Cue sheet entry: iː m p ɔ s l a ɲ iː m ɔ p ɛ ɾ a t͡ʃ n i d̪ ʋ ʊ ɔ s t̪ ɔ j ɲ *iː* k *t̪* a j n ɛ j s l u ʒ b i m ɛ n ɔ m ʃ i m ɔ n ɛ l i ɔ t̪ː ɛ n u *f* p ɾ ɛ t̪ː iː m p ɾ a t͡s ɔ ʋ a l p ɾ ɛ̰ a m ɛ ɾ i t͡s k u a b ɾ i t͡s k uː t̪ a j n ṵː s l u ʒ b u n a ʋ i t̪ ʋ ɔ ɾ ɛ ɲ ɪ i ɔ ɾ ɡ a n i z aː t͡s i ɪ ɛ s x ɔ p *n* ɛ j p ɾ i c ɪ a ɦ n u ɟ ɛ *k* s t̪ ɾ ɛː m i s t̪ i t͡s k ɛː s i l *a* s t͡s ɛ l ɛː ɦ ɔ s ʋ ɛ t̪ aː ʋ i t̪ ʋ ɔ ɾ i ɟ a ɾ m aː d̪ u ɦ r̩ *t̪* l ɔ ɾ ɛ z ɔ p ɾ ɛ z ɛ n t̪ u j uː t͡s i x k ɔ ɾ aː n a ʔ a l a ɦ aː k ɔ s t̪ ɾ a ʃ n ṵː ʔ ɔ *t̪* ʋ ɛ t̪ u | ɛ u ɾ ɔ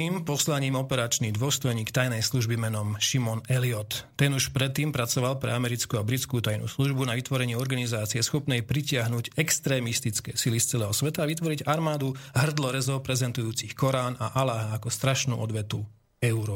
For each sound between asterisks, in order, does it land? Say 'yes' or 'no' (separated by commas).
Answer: yes, yes, no, yes, yes, no, no, no